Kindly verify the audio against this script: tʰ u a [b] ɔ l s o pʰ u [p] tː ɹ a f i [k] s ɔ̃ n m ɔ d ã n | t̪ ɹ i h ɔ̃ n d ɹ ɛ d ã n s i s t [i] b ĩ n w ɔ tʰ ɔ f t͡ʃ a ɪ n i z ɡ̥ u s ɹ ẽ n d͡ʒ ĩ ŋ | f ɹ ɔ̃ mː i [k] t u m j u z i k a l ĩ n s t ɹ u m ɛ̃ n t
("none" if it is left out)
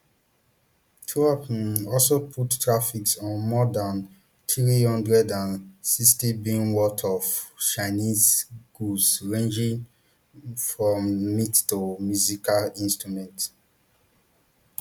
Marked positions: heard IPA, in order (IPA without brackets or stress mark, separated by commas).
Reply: p, t, k, i, t